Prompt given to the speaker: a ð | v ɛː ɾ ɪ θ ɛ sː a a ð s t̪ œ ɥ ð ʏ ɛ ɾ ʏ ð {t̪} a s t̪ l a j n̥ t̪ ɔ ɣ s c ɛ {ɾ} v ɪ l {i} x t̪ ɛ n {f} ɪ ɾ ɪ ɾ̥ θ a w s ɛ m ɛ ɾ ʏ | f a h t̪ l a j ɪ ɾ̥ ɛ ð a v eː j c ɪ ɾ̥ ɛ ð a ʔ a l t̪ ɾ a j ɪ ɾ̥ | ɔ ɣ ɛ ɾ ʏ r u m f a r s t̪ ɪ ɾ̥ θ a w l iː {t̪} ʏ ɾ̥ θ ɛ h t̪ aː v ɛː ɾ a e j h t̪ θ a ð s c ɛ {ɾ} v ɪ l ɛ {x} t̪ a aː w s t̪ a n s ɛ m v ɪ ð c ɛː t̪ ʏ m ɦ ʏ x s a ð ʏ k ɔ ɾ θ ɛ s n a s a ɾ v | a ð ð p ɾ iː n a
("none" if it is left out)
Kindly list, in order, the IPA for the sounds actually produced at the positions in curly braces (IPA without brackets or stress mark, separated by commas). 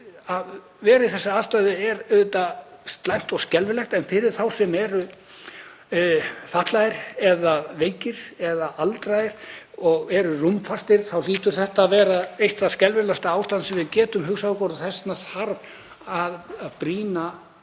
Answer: t̪, l, ɛ, f, t̪, l, s